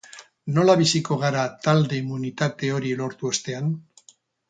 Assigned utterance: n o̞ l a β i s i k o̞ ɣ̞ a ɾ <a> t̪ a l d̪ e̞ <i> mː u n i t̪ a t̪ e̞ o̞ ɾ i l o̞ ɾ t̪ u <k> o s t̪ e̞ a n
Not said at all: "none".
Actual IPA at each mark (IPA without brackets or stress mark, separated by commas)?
a, i, none